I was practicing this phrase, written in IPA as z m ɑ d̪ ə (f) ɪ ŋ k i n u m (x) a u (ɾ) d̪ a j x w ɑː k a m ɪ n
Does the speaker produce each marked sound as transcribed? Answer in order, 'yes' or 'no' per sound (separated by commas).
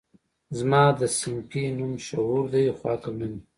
no, no, yes